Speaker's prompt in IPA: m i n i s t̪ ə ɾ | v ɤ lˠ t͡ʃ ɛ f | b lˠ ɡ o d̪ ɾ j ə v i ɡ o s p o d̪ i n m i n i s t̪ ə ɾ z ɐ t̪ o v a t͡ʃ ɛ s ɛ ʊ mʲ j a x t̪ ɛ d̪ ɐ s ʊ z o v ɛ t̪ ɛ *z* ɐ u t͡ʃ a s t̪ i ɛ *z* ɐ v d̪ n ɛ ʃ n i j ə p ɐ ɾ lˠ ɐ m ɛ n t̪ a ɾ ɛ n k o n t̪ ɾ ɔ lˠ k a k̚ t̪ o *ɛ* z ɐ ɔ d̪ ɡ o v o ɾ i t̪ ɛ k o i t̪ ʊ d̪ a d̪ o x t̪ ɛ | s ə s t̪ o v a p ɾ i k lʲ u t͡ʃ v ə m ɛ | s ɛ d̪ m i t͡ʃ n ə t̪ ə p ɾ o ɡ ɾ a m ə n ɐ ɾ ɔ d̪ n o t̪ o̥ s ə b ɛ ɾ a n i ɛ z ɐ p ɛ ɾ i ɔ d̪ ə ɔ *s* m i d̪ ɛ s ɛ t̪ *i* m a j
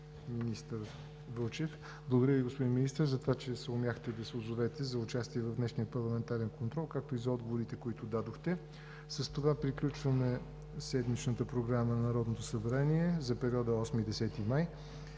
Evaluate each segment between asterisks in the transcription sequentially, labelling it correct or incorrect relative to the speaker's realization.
correct, incorrect: v, incorrect: i, correct, correct

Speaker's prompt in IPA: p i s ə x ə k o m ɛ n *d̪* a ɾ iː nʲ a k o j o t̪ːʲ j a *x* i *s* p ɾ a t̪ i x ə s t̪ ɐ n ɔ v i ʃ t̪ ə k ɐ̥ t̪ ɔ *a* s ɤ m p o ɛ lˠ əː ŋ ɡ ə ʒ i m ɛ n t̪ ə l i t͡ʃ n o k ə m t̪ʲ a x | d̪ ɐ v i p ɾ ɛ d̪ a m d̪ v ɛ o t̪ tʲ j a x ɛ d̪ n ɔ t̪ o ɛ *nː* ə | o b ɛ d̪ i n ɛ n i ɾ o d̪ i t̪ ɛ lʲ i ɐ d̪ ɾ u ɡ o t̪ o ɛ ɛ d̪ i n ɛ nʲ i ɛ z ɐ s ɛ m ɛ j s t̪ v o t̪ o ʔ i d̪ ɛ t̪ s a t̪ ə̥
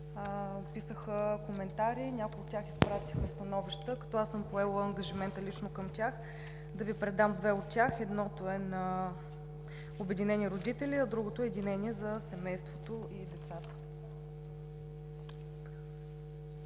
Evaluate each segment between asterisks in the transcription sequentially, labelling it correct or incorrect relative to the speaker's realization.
incorrect: t̪, correct, correct, correct, incorrect: n

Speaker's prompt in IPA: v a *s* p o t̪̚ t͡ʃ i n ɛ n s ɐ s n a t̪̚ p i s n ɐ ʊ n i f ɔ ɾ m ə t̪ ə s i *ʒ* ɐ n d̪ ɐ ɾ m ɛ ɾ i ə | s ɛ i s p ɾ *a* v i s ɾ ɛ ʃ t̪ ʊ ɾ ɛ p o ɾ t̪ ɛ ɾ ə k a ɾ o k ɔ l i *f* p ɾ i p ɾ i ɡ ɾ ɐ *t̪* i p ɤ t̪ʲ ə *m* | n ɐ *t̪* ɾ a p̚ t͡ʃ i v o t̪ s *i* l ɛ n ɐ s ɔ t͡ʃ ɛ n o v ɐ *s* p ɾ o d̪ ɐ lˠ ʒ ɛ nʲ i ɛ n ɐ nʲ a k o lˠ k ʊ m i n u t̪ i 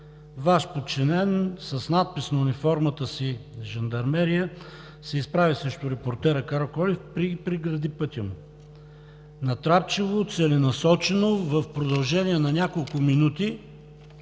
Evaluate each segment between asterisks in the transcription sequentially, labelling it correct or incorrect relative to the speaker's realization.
incorrect: ʃ, correct, correct, correct, incorrect: d̪, correct, correct, incorrect: ɛ, incorrect: f

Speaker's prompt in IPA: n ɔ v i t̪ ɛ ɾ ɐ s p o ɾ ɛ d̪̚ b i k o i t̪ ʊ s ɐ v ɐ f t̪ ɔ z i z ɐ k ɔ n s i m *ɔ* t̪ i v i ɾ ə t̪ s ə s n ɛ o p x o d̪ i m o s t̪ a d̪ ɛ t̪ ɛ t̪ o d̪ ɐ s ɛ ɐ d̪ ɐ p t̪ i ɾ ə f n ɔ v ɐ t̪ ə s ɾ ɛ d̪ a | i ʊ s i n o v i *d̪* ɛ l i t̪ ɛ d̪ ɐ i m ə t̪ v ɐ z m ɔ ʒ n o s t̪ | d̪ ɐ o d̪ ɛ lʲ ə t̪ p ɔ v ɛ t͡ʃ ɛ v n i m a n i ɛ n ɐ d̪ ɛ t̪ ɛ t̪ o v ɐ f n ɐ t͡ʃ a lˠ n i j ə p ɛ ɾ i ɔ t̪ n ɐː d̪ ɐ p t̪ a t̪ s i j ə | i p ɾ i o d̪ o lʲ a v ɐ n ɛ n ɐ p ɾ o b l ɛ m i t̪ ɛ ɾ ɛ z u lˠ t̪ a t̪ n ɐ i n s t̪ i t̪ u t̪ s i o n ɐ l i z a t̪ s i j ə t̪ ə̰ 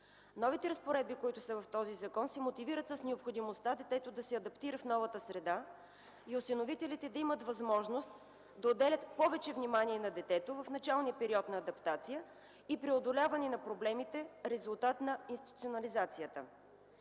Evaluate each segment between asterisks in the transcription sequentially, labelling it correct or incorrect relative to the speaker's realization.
incorrect: o, incorrect: t̪

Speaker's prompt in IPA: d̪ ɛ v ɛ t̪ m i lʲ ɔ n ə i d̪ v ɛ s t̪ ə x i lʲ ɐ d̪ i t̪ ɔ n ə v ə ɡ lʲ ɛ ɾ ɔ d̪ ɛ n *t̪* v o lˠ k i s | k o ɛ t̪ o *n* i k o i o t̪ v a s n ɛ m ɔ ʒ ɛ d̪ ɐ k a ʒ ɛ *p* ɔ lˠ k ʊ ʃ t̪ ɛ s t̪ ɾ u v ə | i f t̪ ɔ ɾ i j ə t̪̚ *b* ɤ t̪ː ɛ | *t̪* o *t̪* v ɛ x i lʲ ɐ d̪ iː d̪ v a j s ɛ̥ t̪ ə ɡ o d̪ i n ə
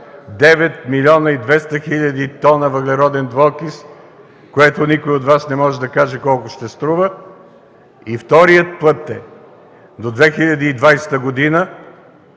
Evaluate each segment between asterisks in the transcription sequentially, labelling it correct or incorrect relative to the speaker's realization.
incorrect: d̪, correct, incorrect: k, incorrect: p, incorrect: d̪, incorrect: d̪

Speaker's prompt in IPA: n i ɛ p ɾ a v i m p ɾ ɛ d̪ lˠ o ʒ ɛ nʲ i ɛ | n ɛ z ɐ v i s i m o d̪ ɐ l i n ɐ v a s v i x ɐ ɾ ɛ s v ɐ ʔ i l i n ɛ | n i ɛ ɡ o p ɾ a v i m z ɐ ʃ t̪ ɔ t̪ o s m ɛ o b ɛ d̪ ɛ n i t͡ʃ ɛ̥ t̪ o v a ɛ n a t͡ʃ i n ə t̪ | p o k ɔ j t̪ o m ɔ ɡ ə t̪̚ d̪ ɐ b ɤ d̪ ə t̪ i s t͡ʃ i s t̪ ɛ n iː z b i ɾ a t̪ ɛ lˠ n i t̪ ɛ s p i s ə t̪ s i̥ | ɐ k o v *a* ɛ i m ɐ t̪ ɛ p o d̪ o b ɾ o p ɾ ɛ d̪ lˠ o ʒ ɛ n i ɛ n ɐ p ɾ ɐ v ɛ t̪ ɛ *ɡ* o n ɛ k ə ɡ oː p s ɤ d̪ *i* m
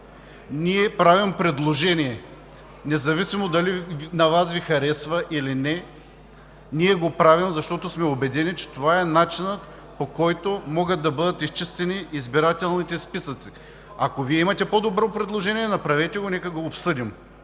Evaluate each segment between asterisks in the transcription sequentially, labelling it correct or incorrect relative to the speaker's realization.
incorrect: i, correct, correct

